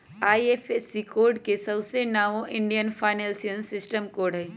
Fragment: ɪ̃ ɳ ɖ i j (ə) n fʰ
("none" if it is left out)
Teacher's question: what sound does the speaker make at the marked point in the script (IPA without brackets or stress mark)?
ə